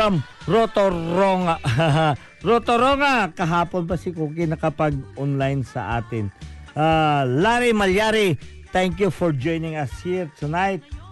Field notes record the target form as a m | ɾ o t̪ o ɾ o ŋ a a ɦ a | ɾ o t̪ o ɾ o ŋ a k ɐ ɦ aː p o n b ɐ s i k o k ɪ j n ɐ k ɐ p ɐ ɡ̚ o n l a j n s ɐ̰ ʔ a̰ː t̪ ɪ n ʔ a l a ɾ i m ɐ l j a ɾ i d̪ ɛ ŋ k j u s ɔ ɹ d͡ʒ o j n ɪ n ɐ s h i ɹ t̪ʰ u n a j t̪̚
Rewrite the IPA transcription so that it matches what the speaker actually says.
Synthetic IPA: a m | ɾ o t̪ o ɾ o ŋ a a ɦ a | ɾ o t̪ o ɾ o ŋ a k ɐ ɦ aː p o n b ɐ s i k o k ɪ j n ɐ k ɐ p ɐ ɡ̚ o n l a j n s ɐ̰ ʔ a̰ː t̪ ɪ n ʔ a l a ɾ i m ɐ l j a ɾ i t̪ ɛ ŋ k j u f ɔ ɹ d͡ʒ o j n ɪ ŋ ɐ s h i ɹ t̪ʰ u n a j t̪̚